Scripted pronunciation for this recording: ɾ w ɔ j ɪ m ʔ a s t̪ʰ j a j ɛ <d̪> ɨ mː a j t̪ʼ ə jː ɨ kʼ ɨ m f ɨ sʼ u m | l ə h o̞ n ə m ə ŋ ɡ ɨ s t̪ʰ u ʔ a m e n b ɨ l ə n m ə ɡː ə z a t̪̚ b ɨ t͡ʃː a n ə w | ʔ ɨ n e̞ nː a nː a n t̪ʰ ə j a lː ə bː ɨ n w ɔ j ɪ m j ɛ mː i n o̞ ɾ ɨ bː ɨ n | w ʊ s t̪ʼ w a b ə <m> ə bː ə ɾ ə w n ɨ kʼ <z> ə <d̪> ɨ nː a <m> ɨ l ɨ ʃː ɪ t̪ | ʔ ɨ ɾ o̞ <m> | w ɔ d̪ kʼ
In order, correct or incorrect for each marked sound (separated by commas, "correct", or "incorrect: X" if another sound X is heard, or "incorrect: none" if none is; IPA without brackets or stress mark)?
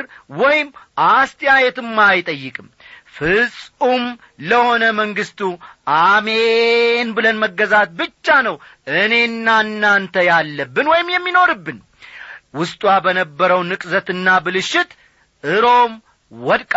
incorrect: t̪, incorrect: n, correct, incorrect: t̪, incorrect: b, correct